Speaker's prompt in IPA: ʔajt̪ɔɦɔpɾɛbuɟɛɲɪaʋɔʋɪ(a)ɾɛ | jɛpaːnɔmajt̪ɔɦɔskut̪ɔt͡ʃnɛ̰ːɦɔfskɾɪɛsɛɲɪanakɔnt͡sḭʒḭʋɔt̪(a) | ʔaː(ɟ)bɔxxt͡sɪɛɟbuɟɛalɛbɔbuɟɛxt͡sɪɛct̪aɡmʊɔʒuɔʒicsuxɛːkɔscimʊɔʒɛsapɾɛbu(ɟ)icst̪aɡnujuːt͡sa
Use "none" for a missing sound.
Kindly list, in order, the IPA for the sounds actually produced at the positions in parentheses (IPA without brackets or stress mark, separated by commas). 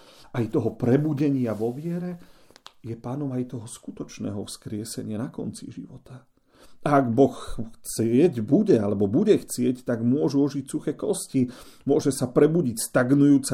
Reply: ɛ, a, ɡ, ɟ